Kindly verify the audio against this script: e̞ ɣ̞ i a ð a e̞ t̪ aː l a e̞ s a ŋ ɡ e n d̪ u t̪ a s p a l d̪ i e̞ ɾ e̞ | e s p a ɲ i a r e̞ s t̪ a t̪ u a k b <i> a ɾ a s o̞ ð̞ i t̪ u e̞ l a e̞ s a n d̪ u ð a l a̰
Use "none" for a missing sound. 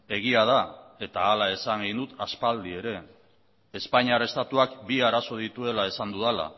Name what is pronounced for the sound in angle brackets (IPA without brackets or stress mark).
i